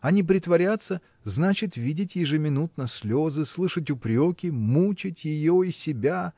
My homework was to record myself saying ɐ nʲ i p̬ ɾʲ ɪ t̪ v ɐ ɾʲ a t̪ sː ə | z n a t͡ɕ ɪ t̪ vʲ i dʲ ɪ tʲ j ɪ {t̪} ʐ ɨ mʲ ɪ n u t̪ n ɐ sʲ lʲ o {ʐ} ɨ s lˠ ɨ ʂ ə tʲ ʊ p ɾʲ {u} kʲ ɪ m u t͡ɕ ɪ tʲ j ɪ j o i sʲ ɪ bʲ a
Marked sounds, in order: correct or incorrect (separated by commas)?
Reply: incorrect, incorrect, incorrect